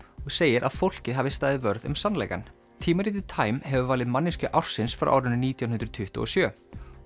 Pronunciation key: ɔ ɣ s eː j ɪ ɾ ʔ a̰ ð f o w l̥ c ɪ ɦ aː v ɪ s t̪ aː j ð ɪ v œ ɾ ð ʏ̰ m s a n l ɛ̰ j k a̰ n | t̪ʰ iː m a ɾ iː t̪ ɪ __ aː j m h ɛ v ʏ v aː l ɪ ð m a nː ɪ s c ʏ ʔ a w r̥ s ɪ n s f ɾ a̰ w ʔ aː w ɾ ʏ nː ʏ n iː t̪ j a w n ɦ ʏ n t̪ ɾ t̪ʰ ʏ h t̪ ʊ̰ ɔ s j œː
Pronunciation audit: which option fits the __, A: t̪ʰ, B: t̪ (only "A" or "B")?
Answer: A